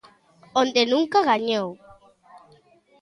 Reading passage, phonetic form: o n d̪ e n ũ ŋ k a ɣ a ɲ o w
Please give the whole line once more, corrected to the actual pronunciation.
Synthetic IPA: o n d̪ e n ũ ŋ k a ɣ a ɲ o w